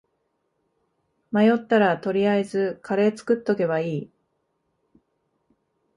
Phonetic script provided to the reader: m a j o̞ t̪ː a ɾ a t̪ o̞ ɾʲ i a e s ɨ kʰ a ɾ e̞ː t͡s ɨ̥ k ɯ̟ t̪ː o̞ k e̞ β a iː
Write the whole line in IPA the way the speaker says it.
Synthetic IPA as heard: m a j o̞ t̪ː a ɾ a t̪ o̞ ɾʲ i a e z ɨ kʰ a ɾ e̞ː t͡s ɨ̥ k ɯ̟ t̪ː o̞ k e̞ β a iː